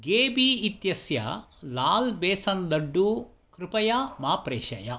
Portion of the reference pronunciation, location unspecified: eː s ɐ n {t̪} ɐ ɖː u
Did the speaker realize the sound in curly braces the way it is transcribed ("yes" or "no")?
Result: no